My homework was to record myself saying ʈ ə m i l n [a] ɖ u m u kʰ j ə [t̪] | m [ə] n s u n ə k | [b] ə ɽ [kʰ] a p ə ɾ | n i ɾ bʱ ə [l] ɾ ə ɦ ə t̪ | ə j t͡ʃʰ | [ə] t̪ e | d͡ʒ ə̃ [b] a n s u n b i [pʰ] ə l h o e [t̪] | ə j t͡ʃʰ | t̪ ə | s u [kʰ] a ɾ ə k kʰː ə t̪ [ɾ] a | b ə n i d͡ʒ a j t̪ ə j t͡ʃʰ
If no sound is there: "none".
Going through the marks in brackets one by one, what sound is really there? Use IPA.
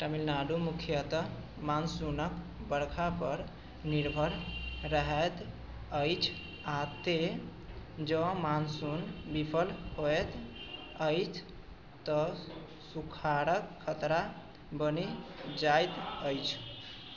a, t̪, a, b, kʰ, ɾ, a, m, pʰ, t̪, kʰ, ɾ

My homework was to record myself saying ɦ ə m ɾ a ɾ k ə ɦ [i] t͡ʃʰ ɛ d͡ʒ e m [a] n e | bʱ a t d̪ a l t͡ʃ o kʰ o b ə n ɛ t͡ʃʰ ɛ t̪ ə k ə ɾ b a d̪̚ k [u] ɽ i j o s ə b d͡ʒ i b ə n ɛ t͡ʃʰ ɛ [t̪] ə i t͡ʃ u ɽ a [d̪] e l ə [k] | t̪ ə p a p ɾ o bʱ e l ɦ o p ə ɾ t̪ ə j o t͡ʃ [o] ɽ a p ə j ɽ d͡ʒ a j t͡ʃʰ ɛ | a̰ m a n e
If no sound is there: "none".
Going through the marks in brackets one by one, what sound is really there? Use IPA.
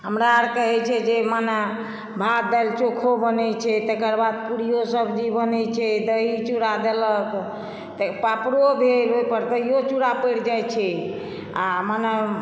ɛ, a, u, d̪, d̪, k, u

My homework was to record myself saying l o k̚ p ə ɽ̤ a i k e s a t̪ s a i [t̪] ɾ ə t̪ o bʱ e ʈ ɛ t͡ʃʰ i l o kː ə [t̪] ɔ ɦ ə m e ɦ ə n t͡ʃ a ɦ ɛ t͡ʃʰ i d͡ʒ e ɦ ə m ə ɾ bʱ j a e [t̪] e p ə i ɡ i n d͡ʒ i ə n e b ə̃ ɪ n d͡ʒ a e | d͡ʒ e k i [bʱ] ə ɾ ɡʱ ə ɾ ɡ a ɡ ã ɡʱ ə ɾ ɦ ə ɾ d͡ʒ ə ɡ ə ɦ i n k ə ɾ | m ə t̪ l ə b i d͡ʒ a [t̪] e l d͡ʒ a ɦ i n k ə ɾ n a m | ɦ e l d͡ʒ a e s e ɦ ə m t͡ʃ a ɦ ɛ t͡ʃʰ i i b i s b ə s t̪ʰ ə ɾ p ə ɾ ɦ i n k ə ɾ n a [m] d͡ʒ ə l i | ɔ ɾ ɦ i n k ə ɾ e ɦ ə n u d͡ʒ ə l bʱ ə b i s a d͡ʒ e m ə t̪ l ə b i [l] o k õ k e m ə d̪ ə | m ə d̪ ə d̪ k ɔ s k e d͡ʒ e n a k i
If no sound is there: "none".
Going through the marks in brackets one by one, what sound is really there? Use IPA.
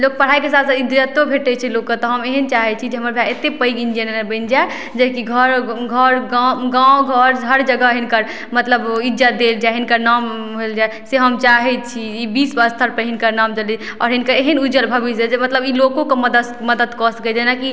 d̪, t̪, t̪, ɡʱ, d̪, m, l

